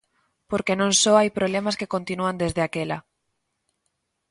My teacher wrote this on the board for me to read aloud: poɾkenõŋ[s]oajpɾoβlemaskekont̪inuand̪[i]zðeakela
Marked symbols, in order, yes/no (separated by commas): yes, no